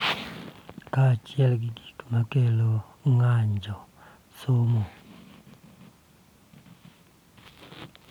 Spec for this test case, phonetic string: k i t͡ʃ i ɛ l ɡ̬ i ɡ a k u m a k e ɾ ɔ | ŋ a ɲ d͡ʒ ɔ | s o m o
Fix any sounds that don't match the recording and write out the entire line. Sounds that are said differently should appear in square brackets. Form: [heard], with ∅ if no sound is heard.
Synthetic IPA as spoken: k [a] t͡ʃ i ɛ l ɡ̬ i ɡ [i] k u m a k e [l] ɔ | ŋ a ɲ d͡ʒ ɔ | s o m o